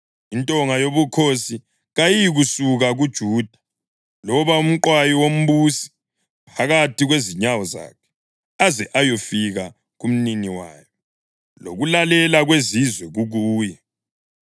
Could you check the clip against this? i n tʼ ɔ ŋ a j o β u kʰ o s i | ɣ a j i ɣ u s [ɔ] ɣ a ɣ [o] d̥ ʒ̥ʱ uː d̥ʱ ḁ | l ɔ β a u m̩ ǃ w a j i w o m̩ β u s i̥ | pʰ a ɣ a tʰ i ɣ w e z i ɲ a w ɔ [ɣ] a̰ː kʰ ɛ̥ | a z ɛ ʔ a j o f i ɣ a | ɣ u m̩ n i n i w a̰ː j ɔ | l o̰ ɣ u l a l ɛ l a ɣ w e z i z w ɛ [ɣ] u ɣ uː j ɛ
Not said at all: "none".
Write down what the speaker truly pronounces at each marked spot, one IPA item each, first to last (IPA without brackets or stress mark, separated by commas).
u, u, z, ɣ